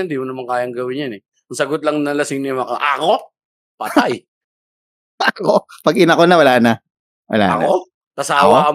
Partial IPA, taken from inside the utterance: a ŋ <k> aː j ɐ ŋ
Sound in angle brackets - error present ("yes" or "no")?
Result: no